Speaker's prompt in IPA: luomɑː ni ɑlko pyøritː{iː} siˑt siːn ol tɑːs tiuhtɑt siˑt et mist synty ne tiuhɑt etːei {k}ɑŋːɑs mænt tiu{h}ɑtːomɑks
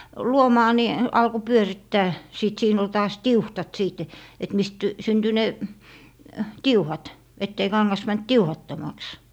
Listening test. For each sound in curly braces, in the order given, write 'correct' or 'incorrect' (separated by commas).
incorrect, correct, correct